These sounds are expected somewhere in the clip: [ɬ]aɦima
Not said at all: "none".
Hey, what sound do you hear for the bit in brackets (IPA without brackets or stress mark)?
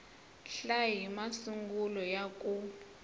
ɬ